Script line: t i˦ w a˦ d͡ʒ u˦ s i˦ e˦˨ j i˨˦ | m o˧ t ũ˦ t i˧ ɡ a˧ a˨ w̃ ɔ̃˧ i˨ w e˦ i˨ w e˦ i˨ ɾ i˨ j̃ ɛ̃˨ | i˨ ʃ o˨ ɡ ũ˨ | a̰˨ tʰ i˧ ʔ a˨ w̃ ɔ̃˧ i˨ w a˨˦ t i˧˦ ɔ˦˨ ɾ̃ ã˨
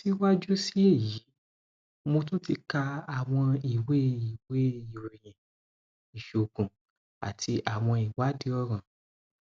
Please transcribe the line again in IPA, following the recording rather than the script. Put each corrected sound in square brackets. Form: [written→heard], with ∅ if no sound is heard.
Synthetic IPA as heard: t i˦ w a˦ d͡ʒ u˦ s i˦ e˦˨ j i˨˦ | m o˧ t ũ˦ t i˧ [ɡ→k] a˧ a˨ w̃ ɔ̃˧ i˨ w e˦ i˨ w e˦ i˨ ɾ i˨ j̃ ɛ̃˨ | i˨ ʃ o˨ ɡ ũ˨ | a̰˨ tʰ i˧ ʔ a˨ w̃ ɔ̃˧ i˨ w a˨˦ [t→d] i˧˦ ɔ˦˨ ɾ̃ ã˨